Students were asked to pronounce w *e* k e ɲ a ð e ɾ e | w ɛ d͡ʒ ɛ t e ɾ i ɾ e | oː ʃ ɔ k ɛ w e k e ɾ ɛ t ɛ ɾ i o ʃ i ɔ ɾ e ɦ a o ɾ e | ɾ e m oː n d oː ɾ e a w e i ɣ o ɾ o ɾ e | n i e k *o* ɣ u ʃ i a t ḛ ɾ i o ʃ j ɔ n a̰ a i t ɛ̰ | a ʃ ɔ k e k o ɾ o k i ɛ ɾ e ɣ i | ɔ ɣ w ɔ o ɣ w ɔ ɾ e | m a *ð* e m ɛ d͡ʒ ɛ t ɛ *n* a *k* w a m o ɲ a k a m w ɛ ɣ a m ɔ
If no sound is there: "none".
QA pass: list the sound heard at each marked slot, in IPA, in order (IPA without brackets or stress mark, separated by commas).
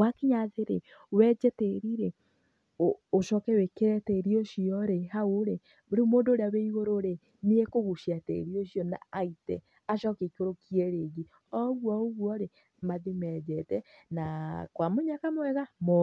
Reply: a, o, ð, n, k